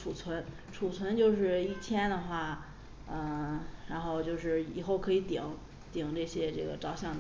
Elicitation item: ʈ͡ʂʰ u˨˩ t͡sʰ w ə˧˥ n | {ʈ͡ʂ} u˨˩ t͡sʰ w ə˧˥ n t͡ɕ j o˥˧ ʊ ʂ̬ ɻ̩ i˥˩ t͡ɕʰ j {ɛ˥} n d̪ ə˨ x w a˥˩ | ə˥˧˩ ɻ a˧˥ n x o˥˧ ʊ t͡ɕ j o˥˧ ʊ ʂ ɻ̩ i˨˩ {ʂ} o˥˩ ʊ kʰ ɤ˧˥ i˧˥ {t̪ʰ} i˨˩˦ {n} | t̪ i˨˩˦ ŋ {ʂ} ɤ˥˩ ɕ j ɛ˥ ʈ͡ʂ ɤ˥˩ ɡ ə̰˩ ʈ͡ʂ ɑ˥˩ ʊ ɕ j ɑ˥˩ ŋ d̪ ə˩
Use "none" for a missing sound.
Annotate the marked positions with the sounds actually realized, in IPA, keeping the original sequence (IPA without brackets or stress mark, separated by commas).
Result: ʈ͡ʂʰ, ɛ˥, x, t̪, ŋ, ʈ͡ʂ